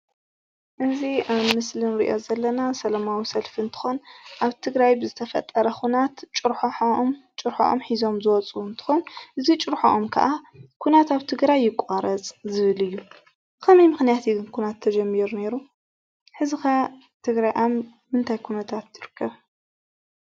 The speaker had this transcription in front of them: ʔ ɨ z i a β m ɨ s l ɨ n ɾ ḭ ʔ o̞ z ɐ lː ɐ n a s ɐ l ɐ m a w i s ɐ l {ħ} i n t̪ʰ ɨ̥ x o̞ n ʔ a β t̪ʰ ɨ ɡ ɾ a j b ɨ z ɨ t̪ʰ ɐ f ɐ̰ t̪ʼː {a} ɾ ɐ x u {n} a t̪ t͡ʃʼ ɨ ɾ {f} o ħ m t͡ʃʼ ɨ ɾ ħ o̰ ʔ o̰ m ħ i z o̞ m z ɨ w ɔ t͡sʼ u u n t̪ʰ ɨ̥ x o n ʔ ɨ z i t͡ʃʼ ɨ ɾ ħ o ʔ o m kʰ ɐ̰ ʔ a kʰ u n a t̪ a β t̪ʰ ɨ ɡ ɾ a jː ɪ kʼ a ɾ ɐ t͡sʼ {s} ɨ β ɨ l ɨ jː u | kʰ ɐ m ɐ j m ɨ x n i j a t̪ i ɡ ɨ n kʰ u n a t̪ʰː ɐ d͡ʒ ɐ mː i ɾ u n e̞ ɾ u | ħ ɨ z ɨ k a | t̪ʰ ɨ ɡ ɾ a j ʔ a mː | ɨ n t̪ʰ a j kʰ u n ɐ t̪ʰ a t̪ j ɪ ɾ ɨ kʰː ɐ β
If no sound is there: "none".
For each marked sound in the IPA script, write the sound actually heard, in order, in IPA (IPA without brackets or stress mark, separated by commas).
f, ɐ, n, ħ, z